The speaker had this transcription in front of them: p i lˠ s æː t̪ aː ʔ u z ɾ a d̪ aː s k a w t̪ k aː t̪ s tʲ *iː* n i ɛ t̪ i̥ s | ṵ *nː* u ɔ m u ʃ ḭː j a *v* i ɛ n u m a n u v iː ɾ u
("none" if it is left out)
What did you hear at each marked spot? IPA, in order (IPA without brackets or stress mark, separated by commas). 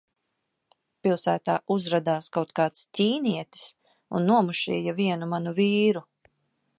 iː, nː, v